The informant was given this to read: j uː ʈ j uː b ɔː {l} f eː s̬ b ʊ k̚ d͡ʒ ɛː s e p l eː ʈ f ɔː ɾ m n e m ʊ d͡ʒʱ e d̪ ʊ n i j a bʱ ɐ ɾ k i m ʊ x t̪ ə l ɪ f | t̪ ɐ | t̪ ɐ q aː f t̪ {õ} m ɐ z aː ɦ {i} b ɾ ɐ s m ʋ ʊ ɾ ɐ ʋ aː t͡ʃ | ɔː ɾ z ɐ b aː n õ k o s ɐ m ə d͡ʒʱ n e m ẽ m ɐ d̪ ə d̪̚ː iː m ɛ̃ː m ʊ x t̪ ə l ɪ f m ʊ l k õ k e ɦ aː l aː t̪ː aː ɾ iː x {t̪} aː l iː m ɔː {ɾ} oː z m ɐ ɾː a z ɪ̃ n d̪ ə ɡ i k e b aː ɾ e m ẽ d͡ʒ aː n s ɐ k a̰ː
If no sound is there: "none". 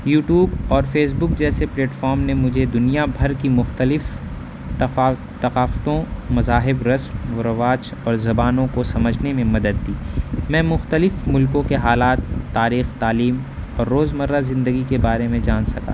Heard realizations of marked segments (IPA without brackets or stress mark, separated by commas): ɾ, õ, ɪ, t̪, ɾː